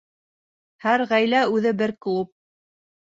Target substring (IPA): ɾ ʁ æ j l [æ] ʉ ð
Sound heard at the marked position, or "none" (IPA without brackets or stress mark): æ